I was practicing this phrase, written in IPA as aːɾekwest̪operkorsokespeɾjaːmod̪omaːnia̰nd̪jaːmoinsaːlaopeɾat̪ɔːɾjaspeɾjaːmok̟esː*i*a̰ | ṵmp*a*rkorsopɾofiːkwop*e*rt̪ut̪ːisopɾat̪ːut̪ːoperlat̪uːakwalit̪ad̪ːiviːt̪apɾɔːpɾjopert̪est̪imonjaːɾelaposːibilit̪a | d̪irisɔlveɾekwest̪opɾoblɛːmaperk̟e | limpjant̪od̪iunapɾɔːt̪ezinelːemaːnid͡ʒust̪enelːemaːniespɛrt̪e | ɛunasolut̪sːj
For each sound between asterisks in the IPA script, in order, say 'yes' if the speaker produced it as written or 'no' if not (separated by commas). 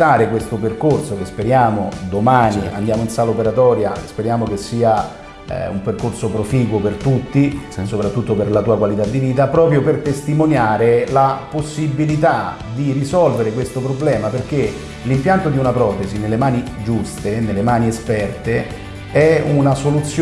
no, no, yes